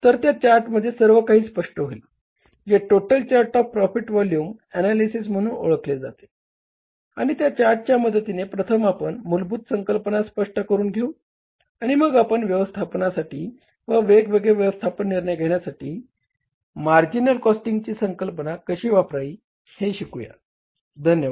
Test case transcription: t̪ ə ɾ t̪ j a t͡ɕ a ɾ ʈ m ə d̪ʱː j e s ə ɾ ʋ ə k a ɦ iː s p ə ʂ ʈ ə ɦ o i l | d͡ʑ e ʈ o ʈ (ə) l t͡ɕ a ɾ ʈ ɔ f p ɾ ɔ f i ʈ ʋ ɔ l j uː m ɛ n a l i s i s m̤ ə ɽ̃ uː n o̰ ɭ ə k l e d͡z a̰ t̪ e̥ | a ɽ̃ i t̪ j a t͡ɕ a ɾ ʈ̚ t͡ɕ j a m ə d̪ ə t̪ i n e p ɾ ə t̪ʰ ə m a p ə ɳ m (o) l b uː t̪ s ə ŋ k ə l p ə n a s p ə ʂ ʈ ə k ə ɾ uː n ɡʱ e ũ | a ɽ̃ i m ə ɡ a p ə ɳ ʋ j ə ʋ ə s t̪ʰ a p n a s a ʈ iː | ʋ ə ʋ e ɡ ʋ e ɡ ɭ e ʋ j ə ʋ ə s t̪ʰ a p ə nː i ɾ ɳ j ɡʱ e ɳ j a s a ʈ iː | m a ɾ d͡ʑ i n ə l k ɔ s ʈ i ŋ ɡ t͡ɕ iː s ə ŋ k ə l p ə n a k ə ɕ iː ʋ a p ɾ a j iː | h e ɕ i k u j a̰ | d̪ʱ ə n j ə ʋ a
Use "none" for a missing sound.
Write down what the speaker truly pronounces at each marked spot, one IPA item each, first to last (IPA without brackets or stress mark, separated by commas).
ə, u